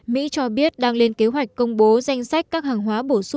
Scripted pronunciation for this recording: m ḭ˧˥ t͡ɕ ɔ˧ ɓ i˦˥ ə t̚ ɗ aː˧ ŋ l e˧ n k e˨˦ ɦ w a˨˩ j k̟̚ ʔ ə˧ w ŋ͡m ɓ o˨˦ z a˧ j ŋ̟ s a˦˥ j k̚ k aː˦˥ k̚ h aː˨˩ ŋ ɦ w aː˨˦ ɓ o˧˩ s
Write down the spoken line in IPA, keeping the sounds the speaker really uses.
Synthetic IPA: m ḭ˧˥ t͡ɕ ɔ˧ ɓ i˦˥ ə t̚ ɗ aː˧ ŋ l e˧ n k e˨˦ ɦ w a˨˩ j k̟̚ k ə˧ w ŋ͡m ɓ o˨˦ z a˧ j ŋ̟ s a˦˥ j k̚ k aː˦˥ k̚ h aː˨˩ ŋ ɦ w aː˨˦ ɓ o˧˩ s